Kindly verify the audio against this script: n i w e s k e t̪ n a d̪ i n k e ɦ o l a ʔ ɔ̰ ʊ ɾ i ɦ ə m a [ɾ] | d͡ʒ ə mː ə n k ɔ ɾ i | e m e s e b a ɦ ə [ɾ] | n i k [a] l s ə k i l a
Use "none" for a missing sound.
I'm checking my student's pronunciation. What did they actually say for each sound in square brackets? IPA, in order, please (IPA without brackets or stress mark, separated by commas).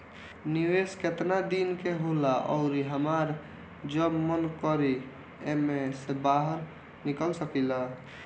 ɾ, ɾ, ə